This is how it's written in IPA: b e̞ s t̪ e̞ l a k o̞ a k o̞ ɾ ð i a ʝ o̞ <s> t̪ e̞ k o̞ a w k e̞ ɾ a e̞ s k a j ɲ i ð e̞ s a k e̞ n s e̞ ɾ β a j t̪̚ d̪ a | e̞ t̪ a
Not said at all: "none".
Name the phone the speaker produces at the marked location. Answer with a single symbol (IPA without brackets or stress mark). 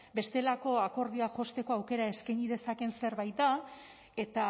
s